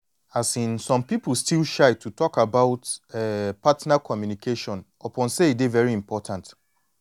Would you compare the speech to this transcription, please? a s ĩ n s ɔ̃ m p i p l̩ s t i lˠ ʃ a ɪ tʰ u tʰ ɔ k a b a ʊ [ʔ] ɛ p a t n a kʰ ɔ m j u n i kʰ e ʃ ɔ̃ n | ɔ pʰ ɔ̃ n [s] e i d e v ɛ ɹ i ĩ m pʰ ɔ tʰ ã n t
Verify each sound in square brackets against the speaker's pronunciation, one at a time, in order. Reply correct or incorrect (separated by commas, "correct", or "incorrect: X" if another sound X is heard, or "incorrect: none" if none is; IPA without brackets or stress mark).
incorrect: t, correct